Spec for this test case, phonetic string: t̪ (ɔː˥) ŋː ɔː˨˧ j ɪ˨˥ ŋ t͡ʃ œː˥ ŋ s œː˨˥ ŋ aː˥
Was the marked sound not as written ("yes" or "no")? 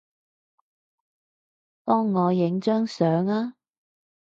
no